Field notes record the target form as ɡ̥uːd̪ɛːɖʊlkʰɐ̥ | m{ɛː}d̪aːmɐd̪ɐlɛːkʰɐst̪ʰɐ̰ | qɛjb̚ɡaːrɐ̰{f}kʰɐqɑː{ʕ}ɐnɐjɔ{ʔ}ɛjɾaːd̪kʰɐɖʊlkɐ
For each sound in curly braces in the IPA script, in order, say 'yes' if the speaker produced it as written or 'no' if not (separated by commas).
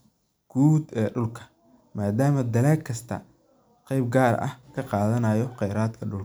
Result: no, no, no, no